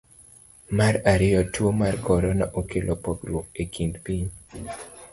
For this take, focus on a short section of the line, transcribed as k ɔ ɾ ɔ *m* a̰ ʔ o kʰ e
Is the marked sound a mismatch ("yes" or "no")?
yes